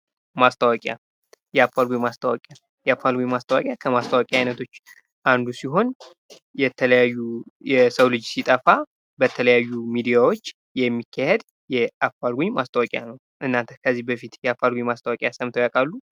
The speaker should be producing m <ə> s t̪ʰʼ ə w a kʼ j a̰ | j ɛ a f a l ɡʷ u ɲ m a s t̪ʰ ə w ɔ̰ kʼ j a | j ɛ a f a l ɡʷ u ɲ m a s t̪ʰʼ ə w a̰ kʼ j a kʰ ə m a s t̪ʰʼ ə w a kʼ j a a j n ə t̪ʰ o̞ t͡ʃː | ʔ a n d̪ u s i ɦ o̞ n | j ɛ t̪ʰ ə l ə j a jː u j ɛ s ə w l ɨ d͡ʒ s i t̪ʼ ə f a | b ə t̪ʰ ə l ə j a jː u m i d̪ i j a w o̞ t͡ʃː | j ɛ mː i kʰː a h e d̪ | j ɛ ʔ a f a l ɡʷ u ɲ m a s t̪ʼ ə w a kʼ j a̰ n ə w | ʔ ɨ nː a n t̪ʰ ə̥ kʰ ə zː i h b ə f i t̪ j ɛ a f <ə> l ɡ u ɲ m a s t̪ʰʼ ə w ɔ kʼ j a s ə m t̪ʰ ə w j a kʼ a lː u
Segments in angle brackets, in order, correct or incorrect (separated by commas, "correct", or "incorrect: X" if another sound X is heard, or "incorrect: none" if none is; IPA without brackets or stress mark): incorrect: a, incorrect: a